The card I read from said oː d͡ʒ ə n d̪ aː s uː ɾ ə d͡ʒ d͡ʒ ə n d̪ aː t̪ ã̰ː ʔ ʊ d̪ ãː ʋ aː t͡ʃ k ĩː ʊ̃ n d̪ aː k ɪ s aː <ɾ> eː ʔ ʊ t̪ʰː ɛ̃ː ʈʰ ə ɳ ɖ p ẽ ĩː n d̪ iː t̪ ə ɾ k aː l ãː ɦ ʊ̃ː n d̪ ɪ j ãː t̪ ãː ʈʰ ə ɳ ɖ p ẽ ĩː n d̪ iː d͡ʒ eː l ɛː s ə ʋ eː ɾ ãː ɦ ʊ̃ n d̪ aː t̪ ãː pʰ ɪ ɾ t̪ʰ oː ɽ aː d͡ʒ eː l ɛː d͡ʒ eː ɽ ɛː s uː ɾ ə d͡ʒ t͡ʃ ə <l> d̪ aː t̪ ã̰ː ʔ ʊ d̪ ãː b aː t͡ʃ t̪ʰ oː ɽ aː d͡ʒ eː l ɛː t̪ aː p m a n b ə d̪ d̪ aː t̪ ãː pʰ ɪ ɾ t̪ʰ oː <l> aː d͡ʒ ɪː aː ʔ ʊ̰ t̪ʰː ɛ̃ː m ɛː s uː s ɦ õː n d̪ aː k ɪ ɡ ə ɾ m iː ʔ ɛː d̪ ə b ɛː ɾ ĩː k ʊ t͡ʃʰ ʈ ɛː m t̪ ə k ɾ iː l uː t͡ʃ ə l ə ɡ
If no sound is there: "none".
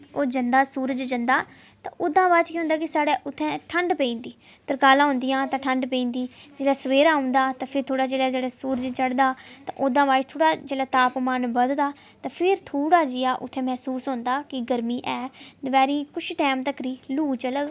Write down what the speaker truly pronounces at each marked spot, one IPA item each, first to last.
ɽ, ɽ, ɽ

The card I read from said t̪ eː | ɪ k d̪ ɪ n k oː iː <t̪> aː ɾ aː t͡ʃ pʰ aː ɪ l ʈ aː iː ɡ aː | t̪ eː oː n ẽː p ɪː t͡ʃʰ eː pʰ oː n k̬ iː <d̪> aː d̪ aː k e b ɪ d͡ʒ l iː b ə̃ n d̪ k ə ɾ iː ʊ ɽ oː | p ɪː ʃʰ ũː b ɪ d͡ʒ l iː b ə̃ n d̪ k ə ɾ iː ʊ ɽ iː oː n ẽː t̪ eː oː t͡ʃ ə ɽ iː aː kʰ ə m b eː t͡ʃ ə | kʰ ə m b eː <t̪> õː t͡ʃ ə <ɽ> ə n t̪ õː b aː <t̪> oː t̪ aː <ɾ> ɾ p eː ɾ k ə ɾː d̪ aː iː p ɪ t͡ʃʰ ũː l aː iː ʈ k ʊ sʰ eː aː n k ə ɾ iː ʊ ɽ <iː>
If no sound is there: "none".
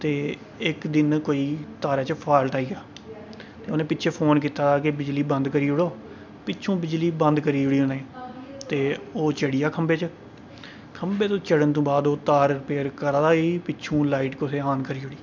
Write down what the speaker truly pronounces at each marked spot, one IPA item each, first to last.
t̪, t̪, t̪, ɽ, d̪, ɾ, iː

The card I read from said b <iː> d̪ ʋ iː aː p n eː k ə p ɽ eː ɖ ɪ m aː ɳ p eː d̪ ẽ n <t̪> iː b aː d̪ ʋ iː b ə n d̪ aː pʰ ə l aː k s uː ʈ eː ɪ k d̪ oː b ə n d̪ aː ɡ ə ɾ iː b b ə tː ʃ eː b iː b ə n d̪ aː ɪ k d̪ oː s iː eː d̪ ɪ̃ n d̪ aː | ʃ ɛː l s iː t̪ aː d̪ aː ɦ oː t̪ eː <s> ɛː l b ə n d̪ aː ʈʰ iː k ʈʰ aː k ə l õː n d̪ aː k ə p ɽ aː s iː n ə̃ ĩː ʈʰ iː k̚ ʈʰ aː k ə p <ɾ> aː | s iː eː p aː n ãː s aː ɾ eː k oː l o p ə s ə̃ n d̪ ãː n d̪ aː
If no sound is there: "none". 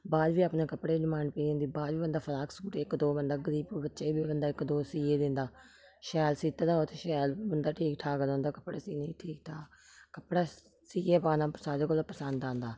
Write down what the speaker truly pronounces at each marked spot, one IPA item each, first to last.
aː, d̪, ʃ, ɽ

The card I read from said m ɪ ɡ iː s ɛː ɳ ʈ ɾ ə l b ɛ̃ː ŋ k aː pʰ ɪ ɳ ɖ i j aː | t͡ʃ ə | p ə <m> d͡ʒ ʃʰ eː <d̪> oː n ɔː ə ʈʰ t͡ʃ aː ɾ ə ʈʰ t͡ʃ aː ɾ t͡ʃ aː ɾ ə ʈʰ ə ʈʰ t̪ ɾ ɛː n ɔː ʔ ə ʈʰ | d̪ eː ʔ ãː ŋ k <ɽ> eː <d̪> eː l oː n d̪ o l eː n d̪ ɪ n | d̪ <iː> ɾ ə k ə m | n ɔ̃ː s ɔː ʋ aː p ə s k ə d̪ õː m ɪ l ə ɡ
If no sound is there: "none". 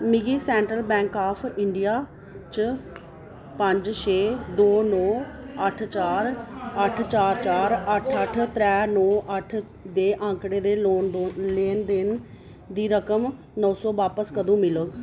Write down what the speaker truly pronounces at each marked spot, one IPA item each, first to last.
ɲ, d̪, ɽ, d̪, iː

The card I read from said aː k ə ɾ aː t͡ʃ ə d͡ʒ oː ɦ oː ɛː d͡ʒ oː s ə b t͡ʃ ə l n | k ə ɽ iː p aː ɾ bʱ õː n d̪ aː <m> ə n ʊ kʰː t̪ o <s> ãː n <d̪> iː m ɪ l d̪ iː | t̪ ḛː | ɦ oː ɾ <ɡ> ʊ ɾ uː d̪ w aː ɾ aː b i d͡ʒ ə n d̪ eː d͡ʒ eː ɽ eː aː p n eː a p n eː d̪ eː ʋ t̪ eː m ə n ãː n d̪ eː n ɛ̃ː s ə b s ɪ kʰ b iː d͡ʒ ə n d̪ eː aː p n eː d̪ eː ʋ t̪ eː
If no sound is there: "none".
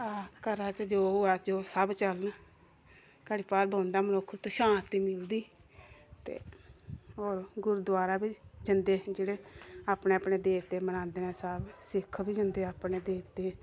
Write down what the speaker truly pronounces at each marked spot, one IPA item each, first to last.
m, ʃ, t̪, ɡ

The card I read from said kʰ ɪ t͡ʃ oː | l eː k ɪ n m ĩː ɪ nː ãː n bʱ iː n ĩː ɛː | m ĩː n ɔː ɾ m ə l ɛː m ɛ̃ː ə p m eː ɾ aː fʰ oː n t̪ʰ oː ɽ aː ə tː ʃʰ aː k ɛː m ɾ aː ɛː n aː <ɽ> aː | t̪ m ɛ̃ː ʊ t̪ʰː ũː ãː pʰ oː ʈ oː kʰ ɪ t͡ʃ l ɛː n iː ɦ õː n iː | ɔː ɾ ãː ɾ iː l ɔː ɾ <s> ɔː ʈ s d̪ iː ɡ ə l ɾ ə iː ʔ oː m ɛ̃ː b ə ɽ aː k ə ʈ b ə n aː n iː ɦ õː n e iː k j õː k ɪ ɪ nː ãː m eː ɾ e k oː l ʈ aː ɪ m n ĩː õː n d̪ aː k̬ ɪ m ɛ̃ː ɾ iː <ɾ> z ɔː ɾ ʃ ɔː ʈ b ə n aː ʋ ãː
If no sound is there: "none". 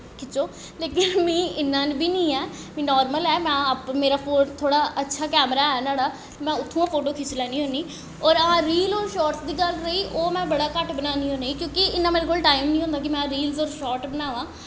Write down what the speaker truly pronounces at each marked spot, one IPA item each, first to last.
ɽ, ʃ, l

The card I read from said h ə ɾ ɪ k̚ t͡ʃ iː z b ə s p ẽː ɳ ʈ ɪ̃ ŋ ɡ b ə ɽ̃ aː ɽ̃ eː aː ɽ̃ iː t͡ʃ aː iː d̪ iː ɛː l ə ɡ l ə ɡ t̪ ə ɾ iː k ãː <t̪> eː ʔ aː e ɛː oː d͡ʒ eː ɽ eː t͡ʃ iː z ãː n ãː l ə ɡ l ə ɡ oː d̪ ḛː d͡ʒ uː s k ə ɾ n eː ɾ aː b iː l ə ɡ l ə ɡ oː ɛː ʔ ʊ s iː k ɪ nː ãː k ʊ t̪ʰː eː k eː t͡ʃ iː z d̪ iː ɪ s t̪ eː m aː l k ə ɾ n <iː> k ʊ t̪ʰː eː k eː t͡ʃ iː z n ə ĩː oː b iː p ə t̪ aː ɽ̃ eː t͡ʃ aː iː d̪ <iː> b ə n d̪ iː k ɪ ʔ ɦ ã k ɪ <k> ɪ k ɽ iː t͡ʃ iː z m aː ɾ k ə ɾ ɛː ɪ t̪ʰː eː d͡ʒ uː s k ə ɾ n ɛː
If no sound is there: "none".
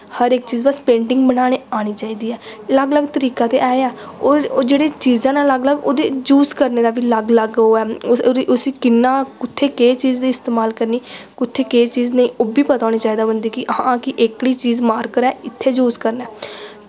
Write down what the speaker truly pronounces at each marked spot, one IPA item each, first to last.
t̪, iː, aː, ʔ

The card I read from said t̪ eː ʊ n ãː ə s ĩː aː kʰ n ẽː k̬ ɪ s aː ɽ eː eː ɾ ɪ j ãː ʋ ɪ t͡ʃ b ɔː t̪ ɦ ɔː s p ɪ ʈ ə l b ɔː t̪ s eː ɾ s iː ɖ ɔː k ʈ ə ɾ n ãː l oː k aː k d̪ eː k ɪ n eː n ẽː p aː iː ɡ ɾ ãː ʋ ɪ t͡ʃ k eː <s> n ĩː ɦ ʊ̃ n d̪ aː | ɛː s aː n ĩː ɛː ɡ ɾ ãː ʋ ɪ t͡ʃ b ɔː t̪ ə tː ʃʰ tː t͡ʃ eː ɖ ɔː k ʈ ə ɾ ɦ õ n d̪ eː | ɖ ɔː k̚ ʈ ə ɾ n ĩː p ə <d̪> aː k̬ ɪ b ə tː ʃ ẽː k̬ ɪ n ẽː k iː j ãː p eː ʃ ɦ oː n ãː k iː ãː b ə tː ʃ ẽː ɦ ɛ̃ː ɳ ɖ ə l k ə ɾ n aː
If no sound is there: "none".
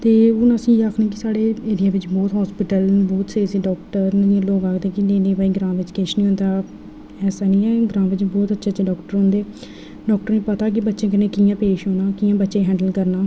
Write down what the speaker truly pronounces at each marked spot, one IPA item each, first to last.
ʃ, t̪

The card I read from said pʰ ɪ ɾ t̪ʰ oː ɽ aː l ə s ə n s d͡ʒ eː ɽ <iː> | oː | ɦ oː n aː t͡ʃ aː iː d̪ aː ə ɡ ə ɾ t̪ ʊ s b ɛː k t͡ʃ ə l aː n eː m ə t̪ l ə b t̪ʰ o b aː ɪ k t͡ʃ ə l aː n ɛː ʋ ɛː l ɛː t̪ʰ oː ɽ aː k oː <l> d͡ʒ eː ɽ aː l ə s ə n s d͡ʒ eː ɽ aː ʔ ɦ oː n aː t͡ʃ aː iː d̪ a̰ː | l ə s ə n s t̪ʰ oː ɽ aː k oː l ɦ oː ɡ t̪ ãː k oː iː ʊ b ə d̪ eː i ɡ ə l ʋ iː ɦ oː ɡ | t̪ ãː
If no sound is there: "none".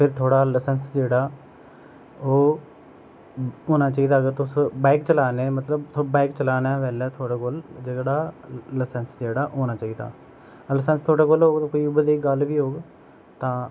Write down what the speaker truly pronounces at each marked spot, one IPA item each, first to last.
aː, l

